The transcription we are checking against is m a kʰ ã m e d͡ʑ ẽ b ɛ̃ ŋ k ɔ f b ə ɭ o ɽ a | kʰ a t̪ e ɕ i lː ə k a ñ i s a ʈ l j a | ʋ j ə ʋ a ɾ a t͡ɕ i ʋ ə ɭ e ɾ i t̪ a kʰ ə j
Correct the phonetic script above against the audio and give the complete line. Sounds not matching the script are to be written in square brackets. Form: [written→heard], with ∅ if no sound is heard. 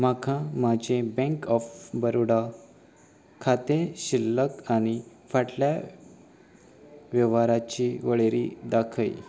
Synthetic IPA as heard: m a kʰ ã m [e→a] d͡ʑ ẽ b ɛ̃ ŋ k ɔ f b ə [ɭ→ɾ] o ɽ a | kʰ a t̪ e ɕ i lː ə k a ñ i [s→f] a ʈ l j a | ʋ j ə ʋ a ɾ a t͡ɕ i ʋ ə ɭ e ɾ i [t̪→d̪] a kʰ ə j